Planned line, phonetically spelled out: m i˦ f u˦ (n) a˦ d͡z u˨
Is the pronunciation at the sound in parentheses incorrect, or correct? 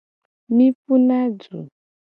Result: correct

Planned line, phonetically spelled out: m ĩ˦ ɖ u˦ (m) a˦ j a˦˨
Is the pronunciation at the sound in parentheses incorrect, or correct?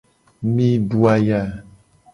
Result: incorrect: none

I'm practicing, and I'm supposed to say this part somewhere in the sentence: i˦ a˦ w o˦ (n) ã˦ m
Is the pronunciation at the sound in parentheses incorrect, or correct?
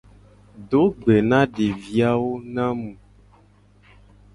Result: correct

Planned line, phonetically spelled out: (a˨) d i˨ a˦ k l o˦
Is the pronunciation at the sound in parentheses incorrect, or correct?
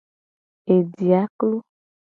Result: incorrect: e˨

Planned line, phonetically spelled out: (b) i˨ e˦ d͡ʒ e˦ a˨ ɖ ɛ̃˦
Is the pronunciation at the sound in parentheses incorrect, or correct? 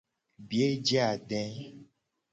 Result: correct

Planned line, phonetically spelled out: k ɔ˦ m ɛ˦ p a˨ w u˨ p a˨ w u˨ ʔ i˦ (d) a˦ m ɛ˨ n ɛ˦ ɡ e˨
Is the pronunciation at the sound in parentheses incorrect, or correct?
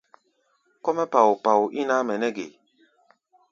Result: incorrect: n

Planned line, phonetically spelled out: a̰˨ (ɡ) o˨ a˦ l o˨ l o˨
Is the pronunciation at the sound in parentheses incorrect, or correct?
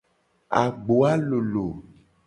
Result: incorrect: ɡ͡b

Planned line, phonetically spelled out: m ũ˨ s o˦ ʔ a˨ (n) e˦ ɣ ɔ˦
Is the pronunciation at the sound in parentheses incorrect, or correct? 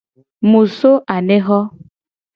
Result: correct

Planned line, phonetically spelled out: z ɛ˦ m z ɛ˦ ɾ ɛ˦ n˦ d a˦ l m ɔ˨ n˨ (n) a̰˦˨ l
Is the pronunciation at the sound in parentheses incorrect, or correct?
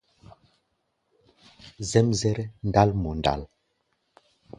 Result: incorrect: d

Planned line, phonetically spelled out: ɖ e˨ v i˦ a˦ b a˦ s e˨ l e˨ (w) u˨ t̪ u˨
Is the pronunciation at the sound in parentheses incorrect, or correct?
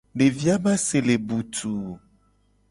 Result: incorrect: b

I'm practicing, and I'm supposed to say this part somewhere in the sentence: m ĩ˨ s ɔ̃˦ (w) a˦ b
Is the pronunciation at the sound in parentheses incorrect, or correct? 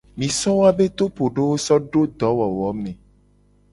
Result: correct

